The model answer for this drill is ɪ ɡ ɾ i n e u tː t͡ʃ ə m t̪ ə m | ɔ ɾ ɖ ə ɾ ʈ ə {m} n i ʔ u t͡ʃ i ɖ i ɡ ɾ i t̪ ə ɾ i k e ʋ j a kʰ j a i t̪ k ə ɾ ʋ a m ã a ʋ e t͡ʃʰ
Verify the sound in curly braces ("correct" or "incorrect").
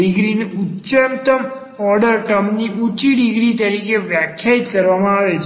correct